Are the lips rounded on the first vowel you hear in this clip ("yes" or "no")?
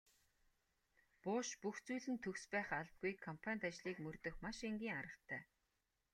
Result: yes